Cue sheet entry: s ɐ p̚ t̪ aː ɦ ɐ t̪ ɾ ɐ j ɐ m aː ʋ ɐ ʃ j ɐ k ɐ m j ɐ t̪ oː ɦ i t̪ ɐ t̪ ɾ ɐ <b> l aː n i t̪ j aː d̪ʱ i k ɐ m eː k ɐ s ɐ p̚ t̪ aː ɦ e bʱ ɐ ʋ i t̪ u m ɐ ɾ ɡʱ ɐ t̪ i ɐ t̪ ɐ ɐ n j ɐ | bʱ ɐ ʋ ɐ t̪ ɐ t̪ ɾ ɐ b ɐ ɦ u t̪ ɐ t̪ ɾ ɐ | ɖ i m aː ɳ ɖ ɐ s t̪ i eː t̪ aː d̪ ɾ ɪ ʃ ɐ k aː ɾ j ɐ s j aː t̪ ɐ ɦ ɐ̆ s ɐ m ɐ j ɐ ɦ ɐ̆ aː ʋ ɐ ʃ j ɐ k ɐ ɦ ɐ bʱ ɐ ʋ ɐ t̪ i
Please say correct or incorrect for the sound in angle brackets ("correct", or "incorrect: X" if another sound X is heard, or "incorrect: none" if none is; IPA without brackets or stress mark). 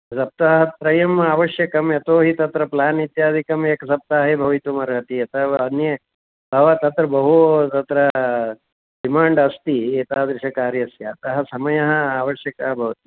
incorrect: p